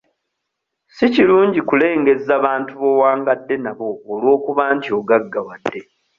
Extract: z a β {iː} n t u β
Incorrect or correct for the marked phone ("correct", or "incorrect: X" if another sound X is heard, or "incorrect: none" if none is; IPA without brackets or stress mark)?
incorrect: aː